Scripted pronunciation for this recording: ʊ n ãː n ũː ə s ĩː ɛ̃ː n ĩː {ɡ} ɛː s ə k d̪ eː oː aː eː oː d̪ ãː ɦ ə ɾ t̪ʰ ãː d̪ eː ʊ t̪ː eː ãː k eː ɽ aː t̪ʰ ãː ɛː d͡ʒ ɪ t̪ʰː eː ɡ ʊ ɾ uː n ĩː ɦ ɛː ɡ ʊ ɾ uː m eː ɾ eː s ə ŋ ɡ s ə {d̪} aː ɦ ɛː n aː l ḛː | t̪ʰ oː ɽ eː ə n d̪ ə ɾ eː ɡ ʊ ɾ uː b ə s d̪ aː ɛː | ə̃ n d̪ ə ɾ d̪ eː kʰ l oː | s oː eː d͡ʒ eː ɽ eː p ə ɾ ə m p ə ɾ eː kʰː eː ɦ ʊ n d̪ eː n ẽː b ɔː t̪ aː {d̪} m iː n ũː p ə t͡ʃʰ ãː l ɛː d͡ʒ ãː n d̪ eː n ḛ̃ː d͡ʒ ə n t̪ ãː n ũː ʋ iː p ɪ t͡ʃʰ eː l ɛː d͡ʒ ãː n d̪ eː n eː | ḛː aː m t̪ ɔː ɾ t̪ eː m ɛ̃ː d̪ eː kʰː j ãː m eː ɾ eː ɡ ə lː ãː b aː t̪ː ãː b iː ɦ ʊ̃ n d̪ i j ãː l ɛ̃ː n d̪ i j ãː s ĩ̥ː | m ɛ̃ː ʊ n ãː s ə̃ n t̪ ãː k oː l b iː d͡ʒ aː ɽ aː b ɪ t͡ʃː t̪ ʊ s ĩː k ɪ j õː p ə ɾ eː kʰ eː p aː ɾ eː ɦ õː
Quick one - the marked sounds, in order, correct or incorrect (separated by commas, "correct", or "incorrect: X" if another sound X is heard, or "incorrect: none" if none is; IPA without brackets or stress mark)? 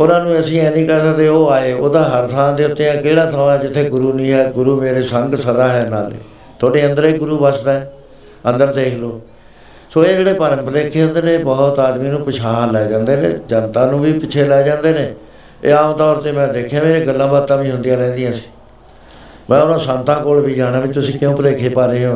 incorrect: k, correct, correct